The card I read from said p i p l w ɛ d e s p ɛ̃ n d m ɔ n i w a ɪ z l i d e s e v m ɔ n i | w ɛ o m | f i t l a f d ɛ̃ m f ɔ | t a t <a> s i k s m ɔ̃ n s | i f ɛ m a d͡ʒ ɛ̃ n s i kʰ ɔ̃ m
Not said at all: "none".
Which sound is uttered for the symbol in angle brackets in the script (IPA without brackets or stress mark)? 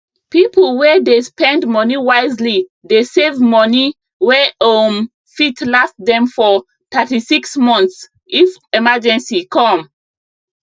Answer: i